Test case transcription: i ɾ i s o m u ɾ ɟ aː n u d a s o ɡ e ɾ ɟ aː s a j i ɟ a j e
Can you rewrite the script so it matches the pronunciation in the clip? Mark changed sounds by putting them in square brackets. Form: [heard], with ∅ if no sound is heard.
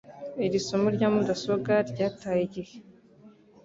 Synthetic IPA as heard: i ɾ i s o m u ɾ ɟ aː [m] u d a s o ɡ [a] ɾ ɟ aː [t] a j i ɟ [i] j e